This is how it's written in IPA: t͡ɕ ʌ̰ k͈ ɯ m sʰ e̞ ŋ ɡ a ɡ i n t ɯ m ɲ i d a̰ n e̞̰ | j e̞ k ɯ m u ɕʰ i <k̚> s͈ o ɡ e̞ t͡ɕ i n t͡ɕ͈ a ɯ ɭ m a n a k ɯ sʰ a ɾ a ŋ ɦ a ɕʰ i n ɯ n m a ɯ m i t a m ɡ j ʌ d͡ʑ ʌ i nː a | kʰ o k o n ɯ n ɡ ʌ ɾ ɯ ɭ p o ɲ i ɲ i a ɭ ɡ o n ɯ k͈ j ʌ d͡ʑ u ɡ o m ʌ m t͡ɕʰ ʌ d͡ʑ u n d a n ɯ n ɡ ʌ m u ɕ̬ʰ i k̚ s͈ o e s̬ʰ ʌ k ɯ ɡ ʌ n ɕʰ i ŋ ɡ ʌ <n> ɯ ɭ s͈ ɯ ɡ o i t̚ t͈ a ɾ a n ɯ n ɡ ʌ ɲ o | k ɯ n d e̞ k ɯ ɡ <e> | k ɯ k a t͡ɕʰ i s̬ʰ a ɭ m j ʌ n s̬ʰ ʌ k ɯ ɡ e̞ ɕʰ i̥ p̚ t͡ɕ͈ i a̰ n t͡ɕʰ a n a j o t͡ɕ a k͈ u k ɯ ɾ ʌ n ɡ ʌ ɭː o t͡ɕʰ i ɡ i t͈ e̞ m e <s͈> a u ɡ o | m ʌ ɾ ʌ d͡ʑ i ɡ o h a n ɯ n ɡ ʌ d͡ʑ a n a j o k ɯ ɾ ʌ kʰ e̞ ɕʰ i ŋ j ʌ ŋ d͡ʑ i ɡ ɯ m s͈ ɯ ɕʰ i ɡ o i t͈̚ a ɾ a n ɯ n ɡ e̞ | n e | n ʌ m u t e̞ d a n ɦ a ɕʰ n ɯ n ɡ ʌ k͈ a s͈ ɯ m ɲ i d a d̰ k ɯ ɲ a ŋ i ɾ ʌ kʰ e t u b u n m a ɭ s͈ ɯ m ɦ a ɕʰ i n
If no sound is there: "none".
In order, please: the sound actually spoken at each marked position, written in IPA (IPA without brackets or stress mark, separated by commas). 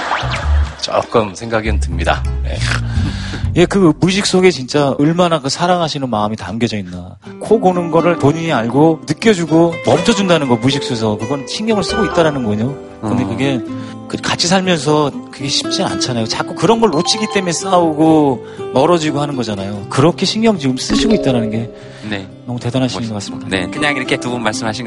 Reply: k̚, ŋ, e, s͈